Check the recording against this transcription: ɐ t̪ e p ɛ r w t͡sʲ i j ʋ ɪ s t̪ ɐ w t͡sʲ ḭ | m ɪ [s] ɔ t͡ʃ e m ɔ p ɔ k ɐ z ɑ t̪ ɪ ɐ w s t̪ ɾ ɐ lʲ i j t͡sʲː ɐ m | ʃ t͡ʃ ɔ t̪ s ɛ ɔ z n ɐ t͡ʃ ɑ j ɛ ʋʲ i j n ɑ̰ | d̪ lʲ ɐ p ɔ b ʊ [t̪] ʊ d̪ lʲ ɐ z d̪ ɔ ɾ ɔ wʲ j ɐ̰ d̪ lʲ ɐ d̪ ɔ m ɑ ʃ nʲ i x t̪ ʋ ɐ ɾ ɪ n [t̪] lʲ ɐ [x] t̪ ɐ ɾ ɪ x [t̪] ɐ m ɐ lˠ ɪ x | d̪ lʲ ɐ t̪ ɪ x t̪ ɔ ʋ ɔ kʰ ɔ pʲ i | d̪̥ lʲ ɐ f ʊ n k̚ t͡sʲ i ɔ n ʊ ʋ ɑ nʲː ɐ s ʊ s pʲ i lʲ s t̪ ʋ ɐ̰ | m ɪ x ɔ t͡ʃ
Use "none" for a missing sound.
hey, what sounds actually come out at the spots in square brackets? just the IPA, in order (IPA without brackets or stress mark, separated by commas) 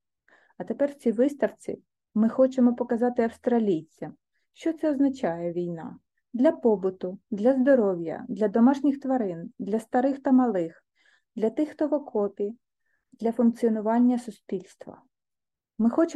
x, t̪, d̪, s, t̪